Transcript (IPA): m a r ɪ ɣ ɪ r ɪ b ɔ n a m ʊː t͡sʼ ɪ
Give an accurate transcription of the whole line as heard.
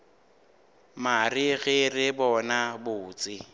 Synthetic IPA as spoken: m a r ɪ ɣ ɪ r ɪ b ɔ n a b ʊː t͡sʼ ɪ